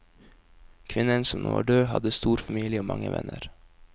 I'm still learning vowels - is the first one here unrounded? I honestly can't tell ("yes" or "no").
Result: yes